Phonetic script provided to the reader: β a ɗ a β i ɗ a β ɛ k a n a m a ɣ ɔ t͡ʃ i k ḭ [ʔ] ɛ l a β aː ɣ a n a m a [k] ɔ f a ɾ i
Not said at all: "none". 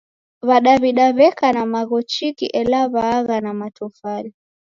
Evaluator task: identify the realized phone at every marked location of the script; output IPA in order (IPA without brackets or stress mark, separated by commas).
ʔ, t